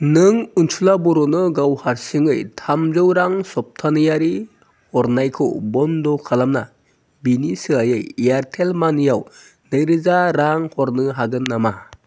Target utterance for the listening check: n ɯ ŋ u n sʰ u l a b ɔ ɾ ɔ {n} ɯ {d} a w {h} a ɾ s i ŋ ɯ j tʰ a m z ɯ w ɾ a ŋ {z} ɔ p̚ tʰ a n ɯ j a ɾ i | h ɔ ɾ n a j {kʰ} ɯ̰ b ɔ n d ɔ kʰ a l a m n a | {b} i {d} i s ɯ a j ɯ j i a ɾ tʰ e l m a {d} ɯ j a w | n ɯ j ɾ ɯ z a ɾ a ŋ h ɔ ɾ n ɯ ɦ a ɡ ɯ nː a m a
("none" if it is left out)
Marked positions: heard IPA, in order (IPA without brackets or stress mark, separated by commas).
n, ɡ, h, s, kʰ, b, n, n